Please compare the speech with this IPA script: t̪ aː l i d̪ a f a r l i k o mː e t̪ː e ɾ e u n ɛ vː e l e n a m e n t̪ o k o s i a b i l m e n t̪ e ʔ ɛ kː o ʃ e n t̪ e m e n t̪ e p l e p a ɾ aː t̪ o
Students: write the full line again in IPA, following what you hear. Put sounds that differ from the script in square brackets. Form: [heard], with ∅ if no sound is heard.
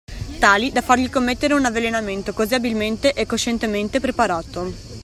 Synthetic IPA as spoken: t̪ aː l i d̪ a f a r [ʎ] i k o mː e t̪ː e ɾ e u n [a] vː e l e n a m e n t̪ o k o [z] i a b i l m e n t̪ e ʔ ɛ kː o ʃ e n t̪ e m e n t̪ e p [ɾ] e p a ɾ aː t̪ o